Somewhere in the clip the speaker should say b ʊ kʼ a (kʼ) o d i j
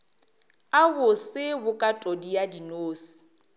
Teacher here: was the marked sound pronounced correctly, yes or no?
no